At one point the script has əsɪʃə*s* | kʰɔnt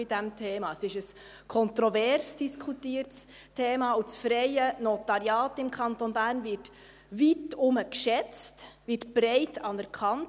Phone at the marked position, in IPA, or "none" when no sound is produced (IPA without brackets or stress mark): s